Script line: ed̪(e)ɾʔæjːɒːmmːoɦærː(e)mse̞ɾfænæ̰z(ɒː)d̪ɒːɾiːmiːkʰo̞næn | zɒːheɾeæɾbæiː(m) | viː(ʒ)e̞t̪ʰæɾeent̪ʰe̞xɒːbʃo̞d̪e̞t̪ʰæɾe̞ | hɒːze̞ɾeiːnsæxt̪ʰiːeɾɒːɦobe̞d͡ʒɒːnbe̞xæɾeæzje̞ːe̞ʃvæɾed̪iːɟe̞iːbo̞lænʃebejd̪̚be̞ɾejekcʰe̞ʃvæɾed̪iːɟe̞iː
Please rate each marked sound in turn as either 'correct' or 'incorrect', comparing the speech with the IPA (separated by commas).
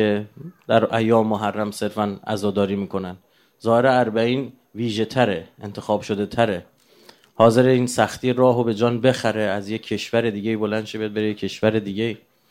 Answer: incorrect, incorrect, correct, incorrect, correct